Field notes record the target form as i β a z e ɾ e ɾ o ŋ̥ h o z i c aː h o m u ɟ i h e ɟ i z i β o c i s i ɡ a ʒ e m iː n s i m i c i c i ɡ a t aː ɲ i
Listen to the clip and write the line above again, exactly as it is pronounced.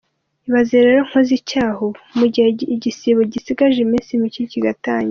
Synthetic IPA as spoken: i β a z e ɾ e ɾ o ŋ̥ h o z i c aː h o m u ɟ i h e ɟ i s i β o ɟ i s i ɡ a ʒ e m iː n s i m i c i c i ɡ a t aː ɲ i